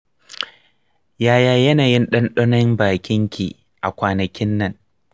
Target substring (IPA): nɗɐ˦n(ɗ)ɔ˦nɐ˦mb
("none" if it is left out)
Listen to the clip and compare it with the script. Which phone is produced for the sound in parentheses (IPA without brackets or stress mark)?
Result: ɗ